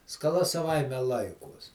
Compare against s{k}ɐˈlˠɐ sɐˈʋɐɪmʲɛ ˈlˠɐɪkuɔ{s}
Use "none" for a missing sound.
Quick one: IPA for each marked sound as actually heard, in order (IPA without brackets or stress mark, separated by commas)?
k, s